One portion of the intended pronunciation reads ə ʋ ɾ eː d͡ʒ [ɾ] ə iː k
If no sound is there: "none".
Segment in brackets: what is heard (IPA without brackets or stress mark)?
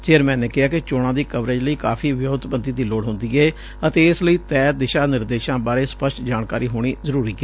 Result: l